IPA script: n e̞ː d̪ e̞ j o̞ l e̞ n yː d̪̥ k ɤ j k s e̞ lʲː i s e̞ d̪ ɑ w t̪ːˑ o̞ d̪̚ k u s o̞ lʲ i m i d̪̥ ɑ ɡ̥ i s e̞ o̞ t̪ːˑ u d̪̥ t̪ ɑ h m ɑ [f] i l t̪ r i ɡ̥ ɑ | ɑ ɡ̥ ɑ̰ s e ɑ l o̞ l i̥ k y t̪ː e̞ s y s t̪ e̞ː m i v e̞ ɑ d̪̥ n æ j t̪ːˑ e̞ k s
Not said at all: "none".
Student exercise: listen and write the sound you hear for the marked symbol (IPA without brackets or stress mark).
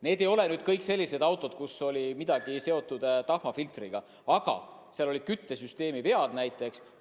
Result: f